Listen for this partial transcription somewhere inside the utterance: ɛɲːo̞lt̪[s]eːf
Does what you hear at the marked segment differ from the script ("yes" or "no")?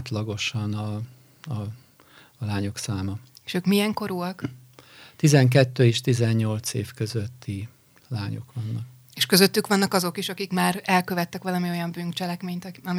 no